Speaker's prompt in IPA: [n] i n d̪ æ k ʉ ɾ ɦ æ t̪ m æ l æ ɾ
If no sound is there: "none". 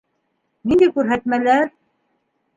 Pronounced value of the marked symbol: n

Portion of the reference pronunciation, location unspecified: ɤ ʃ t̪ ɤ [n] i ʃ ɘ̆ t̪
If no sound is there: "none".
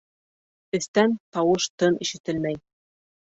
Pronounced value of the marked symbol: n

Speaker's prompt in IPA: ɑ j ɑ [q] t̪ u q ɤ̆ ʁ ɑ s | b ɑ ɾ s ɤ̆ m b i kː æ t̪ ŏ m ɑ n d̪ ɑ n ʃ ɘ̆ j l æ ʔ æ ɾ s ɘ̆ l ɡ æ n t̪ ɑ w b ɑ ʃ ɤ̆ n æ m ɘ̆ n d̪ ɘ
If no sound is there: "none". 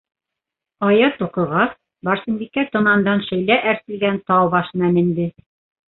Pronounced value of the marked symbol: none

